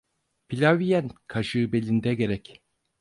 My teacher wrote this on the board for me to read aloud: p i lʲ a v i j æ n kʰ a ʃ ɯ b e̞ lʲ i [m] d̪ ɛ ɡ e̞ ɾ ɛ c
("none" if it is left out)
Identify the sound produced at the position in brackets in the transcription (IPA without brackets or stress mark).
n